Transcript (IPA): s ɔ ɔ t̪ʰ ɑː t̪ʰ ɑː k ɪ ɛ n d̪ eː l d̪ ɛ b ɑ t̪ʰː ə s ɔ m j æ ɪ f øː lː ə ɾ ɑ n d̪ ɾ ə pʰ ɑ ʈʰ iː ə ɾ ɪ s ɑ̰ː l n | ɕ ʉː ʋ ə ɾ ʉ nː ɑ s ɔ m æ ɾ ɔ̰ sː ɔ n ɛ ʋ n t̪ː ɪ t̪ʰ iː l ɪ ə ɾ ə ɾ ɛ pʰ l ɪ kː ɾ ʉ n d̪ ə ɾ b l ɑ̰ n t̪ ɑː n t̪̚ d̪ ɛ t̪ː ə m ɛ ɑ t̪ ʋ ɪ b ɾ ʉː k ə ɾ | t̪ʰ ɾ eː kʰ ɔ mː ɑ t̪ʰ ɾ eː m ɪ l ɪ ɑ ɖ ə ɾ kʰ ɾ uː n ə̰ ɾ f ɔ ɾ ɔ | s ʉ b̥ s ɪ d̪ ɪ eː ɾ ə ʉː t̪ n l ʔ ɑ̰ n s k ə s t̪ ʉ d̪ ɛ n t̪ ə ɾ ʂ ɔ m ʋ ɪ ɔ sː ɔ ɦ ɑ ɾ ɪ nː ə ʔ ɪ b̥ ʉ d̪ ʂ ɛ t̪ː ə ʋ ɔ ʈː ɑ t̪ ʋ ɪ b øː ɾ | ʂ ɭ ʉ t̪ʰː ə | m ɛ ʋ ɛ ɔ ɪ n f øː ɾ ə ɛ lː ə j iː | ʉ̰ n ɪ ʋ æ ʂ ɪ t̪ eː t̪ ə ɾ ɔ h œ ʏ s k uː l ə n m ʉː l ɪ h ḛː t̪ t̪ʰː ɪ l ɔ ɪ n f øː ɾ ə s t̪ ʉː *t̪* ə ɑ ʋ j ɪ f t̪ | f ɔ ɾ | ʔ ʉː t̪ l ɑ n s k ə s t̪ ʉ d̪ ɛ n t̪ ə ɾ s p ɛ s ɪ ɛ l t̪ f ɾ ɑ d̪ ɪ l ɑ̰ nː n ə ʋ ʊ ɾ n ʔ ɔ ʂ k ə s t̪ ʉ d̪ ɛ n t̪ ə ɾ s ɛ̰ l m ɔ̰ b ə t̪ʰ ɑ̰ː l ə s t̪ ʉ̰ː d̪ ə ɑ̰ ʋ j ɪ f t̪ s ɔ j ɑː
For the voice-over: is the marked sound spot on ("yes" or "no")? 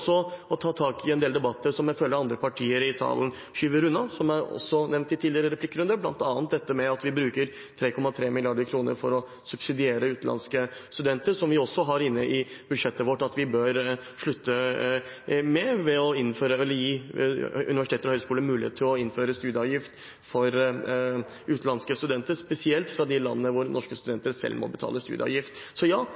no